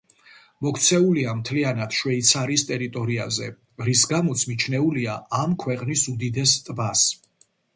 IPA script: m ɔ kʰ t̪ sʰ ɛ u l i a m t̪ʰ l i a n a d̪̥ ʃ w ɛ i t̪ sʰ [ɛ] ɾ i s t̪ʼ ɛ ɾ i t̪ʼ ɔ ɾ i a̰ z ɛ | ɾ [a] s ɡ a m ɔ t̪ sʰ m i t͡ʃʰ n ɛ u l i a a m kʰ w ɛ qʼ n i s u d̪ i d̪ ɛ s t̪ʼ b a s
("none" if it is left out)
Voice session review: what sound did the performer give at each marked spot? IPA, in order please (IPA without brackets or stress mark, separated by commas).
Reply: a, i